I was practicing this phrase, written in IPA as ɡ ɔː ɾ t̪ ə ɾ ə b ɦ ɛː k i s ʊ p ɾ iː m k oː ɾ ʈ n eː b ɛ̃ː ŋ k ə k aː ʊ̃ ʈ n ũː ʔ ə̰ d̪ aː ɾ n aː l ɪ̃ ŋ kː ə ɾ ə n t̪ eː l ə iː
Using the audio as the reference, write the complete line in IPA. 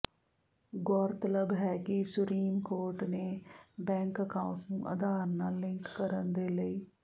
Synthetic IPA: ɡ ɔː ɾ t̪ ə l ə b ɦ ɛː k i s ʊ p ɾ iː m k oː ɾ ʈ n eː b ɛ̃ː ŋ k ə k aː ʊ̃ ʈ n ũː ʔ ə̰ d̪ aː ɾ n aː l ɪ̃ ŋ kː ə ɾ ə n d̪ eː l ə iː